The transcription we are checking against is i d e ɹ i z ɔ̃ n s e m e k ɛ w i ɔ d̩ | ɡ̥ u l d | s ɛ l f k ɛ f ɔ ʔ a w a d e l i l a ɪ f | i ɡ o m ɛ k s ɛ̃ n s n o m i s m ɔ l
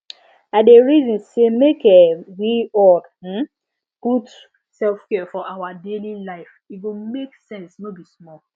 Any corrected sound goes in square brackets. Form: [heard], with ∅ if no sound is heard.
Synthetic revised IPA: [a] d e ɹ i z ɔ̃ n s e m e k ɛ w i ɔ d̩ | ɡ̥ u [∅] d | s ɛ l f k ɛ f ɔ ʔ a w a d e l i l a ɪ f | i ɡ o m [e] k s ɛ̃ n s n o [b] i s m ɔ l